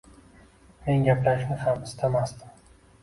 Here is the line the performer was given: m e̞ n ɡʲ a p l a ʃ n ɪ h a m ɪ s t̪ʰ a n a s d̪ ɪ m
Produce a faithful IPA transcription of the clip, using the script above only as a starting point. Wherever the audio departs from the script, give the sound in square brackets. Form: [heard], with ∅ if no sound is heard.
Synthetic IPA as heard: m e̞ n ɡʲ a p l a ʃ n ɪ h a m ɪ s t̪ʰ a [m] a s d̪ ɪ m